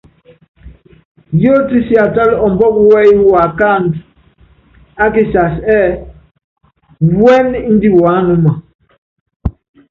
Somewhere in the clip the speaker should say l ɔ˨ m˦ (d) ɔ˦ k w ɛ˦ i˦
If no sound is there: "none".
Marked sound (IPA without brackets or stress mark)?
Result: b